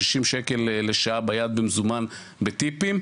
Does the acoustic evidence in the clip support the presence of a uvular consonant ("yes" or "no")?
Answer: no